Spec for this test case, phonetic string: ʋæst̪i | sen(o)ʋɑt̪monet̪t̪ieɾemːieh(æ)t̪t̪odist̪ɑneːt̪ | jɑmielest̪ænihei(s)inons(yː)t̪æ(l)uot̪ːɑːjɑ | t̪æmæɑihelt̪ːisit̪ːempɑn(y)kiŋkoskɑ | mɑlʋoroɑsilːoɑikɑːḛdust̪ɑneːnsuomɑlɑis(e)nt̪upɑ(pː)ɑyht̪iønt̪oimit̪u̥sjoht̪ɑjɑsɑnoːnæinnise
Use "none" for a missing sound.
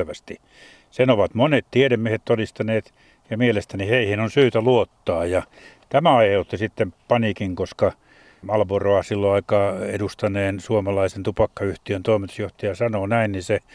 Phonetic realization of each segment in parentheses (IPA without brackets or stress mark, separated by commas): o, e, h, yː, l, i, e, kː